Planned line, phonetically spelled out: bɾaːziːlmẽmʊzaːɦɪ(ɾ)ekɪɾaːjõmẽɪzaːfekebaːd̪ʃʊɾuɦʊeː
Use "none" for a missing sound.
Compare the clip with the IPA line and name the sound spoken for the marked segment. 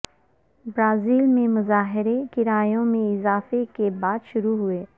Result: ɾ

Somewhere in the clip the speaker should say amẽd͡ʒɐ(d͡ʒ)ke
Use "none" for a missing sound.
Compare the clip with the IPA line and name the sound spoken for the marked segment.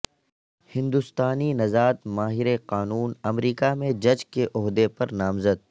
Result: d͡ʒ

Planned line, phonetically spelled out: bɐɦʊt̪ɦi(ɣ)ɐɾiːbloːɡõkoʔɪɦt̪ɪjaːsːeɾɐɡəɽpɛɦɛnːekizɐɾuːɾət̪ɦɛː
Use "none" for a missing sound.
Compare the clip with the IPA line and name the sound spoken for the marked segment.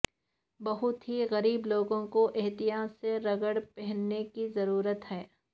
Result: ɣ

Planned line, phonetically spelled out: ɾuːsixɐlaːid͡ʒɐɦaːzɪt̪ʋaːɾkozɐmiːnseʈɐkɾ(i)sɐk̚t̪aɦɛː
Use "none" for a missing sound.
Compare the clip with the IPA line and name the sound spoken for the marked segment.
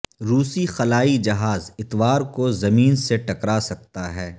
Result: a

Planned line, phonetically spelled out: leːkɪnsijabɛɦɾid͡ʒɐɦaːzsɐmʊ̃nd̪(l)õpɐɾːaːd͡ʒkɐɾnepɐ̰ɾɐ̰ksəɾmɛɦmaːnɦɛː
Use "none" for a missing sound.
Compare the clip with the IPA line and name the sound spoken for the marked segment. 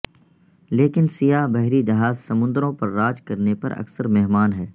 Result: ɾ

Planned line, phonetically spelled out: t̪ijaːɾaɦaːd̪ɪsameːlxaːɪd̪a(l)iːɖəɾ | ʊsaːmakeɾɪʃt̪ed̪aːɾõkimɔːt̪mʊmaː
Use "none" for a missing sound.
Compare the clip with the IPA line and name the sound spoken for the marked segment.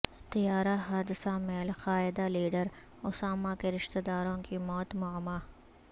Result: l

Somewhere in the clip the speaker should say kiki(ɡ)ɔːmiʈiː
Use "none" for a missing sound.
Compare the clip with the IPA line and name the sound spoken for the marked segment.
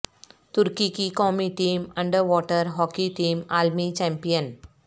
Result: k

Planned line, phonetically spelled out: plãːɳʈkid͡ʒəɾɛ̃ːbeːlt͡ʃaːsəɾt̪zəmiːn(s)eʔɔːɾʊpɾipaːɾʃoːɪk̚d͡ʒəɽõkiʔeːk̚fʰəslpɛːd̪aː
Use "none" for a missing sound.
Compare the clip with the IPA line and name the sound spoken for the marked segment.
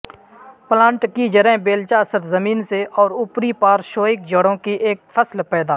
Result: s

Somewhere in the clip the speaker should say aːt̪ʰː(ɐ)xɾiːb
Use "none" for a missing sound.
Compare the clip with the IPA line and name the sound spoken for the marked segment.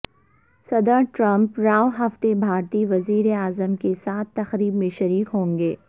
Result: ɐ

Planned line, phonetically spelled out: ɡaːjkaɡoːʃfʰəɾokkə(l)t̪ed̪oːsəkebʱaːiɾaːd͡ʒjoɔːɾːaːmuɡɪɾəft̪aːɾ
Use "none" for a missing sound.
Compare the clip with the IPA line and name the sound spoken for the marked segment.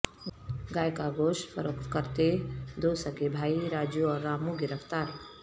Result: ɾ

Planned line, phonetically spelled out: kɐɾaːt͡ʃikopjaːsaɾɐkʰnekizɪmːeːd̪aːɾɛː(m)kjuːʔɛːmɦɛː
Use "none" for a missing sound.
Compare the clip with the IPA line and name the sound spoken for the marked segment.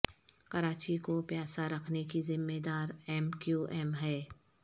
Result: m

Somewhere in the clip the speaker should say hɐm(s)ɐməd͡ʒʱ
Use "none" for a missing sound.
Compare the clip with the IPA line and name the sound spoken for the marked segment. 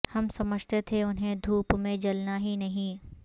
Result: s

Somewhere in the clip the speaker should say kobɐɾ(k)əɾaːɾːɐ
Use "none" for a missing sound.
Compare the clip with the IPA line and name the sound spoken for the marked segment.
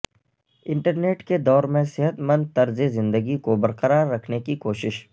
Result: q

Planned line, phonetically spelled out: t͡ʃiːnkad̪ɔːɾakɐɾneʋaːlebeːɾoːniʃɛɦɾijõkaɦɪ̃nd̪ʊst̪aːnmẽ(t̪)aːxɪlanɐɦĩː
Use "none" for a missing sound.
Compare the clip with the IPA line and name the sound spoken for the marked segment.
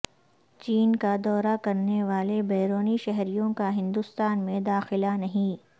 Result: d̪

